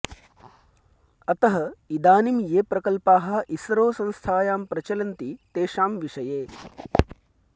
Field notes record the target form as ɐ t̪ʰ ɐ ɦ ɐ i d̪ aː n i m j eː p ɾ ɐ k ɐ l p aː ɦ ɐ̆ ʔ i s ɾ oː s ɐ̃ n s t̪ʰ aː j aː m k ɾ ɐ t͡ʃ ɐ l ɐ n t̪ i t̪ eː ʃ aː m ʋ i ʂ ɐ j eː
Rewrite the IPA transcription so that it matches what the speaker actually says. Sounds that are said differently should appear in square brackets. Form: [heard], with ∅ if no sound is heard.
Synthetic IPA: ɐ [t̪] ɐ ɦ ɐ i d̪ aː n i m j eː p ɾ ɐ k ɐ l p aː ɦ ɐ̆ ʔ i s ɾ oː s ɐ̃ n s t̪ʰ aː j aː m [p] ɾ ɐ t͡ʃ ɐ l ɐ n t̪ i t̪ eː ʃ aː m ʋ i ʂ ɐ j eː

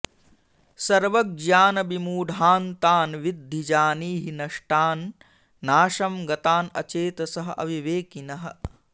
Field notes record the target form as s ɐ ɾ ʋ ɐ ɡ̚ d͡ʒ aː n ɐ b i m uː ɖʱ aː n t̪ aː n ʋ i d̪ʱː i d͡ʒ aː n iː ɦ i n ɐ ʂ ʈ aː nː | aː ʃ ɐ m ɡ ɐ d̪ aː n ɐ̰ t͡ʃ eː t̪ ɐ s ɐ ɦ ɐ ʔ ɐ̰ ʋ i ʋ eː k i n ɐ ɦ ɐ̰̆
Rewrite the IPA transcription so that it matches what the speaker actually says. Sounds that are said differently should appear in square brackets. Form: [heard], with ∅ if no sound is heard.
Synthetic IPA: s ɐ ɾ ʋ ɐ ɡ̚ d͡ʒ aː n ɐ b i m uː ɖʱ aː n t̪ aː n ʋ i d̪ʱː i d͡ʒ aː n iː ɦ i n ɐ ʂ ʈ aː nː | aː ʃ ɐ m ɡ ɐ [t̪] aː n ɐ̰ t͡ʃ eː t̪ ɐ s ɐ ɦ ɐ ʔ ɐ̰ ʋ i ʋ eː k i n ɐ ɦ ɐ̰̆

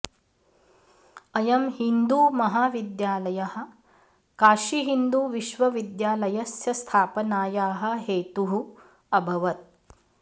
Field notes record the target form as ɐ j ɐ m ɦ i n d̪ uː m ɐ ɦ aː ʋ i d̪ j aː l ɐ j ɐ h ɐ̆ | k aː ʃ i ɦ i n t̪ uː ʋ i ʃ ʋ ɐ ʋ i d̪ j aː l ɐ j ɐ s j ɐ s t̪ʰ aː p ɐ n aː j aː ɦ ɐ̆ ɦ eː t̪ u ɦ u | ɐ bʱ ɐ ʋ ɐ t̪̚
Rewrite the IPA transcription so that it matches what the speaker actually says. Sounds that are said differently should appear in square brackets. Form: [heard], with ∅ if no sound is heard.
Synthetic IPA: ɐ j ɐ m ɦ i n d̪ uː m ɐ ɦ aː ʋ i d̪ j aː l ɐ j ɐ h ɐ̆ | k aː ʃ i ɦ i n [d̪] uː ʋ i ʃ ʋ ɐ ʋ i d̪ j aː l ɐ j ɐ s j ɐ s t̪ʰ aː p ɐ n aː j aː ɦ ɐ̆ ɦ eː t̪ u ɦ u | ɐ bʱ ɐ ʋ ɐ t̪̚

